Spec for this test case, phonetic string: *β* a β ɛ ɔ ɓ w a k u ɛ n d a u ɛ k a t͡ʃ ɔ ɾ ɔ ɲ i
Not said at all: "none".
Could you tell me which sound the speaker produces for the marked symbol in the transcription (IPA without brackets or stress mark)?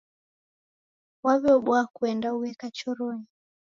w